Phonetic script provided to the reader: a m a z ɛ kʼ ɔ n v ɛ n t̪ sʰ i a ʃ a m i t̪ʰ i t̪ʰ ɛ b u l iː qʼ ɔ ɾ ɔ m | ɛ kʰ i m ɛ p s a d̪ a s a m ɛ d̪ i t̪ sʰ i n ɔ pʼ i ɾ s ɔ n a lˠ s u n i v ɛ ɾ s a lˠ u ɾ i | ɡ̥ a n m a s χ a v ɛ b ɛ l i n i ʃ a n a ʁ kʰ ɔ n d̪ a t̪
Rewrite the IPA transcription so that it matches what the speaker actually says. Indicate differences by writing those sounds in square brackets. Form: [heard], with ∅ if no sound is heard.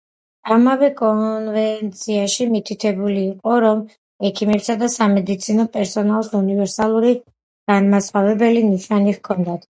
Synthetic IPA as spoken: a m a [v] ɛ kʼ ɔ n v ɛ n t̪ sʰ i a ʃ [i] m i t̪ʰ i t̪ʰ ɛ b u l iː qʼ ɔ ɾ ɔ m | ɛ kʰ i m ɛ p s a d̪ a s a m ɛ d̪ i t̪ sʰ i n ɔ pʼ [ɛ] ɾ s ɔ n a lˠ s u n i v ɛ ɾ s a lˠ u ɾ i | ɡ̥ a n m a s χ a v ɛ b ɛ l i n i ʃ a n [i] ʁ kʰ ɔ n d̪ a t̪